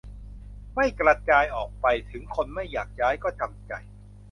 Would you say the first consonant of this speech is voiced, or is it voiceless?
voiced